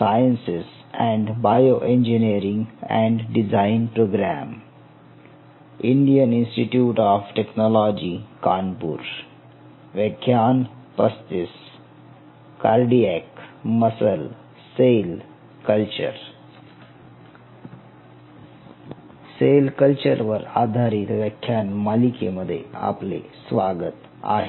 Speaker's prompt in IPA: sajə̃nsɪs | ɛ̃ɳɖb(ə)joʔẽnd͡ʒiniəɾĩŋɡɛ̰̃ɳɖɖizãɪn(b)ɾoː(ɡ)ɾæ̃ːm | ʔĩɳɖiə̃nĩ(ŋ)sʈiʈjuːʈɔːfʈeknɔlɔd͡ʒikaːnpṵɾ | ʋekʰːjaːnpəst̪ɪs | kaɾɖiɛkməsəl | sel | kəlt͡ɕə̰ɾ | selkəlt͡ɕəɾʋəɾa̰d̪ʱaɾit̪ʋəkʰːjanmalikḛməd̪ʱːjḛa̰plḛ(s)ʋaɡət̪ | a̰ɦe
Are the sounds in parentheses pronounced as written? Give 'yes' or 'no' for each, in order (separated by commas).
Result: no, no, yes, no, yes